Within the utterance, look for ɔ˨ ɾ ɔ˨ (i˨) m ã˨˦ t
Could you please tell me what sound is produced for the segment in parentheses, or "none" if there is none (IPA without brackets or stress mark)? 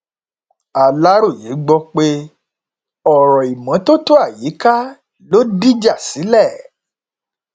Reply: i˨